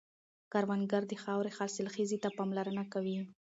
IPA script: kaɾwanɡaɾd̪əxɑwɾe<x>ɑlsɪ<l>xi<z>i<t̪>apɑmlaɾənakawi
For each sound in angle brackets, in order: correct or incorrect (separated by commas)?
correct, correct, correct, correct